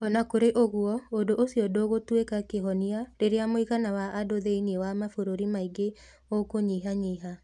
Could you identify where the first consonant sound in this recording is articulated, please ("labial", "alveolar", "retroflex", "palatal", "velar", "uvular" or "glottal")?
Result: alveolar